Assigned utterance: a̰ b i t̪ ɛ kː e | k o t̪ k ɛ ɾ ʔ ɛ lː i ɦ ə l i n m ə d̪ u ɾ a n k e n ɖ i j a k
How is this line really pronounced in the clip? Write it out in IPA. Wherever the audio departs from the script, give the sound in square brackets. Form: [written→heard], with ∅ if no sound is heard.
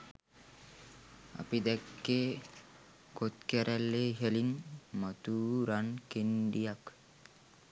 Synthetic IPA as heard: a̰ [b→p] i [t̪→d̪] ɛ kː e | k o t̪ k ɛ ɾ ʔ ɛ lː [i→e] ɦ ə l i n m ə [d̪→t̪] u ɾ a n k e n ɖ i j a k